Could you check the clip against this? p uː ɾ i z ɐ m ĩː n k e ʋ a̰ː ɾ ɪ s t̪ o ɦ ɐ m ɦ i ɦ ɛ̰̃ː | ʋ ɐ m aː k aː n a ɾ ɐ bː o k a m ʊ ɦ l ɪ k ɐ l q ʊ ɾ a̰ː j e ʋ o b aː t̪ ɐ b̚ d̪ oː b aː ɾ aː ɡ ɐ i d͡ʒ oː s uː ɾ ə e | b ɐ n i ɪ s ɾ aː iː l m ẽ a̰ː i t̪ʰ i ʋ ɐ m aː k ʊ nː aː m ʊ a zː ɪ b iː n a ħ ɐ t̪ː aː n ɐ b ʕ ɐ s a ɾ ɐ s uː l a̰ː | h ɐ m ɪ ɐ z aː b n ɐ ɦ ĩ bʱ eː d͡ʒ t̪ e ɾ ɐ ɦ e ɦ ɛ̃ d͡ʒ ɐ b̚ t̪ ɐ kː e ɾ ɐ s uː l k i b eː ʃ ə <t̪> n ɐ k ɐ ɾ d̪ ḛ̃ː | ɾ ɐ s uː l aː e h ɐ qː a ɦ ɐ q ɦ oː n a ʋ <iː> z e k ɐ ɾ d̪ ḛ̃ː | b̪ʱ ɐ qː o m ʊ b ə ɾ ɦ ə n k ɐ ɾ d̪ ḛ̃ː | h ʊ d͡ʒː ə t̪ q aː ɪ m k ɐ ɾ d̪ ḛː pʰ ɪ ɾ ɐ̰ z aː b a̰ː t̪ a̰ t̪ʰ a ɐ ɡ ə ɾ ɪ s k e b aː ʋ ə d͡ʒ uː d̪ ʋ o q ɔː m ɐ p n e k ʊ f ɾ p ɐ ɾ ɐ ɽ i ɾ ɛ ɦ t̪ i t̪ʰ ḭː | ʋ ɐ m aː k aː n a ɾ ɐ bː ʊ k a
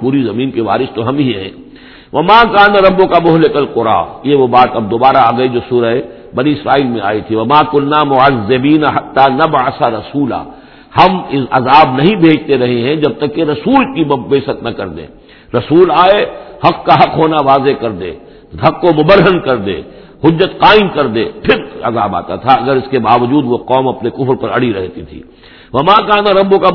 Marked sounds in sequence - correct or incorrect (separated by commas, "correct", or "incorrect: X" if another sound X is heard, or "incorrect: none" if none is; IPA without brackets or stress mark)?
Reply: correct, incorrect: aː